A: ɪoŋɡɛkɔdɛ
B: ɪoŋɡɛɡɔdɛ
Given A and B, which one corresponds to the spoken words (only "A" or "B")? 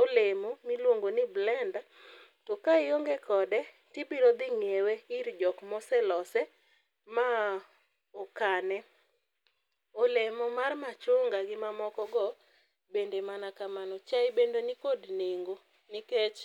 A